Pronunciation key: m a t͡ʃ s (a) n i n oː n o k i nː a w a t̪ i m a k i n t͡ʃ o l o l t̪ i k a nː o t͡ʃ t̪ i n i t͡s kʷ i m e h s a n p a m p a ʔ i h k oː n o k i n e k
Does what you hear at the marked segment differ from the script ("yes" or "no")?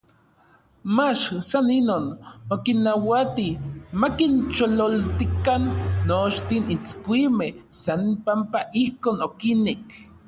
no